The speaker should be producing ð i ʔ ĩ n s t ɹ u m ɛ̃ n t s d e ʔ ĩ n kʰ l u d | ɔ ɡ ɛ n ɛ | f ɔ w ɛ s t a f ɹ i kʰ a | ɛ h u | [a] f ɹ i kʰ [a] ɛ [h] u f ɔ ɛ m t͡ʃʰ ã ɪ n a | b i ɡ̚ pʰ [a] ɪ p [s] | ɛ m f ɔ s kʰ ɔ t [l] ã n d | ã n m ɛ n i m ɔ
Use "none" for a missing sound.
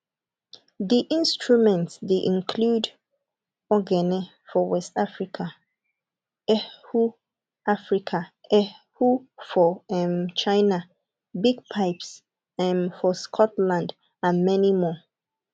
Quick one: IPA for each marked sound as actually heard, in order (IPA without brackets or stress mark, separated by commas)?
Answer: a, a, h, a, s, l